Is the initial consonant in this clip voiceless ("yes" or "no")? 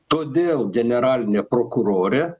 yes